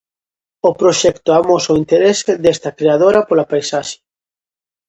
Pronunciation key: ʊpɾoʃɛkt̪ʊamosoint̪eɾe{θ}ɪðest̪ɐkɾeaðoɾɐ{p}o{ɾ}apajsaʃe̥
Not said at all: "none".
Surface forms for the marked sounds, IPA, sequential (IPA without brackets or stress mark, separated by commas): s, p, l